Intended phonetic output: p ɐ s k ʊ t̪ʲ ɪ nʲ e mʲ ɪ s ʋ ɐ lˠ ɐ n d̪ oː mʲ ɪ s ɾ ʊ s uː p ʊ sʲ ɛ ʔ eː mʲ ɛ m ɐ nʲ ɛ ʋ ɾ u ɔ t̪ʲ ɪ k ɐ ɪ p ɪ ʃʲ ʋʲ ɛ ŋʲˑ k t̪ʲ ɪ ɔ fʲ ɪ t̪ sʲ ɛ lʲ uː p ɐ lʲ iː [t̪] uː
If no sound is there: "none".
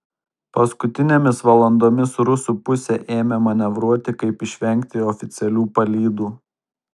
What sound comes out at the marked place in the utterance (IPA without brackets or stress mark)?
d̪